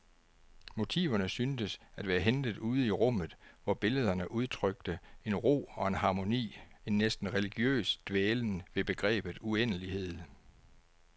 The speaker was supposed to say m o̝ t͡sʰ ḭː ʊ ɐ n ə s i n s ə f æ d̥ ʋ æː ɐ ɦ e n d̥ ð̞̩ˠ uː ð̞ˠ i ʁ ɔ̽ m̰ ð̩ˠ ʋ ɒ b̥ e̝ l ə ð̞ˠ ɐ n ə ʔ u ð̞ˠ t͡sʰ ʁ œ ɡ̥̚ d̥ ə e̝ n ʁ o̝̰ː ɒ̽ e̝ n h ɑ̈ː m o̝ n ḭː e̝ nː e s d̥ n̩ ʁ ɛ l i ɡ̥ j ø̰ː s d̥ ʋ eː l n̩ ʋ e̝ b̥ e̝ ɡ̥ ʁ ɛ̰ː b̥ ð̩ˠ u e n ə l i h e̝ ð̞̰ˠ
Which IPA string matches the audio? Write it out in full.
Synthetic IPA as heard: m o̝ t͡sʰ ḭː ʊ ɐ n ə s y n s ə s æ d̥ ʋ æː ɐ ɦ e n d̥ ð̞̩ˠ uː ð̞ˠ i ʁ ɔ̽ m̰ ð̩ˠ ʋ ɒ b̥ e̝ l ə ð̞ˠ ɐ n ə ʔ u ð̞ˠ t͡sʰ ʁ œ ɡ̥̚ d̥ ə e̝ n ʁ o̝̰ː ɒ̽ e̝ n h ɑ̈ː m o̝ n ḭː e̝ nː e s d̥ n̩ ʁ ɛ l i ɡ̥ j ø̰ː s d̥ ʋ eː l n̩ ʋ e̝ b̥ e̝ ɡ̥ ʁ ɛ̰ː b̥ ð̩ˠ u e n ə l i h e̝ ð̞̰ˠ